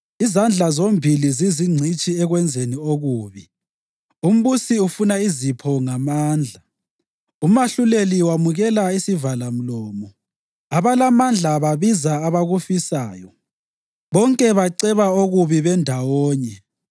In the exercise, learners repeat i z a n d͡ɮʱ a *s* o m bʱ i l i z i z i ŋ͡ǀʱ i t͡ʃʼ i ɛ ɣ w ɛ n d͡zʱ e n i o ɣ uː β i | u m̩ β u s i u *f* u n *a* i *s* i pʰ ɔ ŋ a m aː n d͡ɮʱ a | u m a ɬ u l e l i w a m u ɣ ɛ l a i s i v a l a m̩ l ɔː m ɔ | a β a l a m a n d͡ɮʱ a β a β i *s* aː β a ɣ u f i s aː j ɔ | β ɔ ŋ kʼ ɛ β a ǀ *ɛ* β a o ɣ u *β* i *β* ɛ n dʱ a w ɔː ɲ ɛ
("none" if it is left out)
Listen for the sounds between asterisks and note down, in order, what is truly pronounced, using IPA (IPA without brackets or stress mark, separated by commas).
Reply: z, f, a, z, z, ɛ, β, β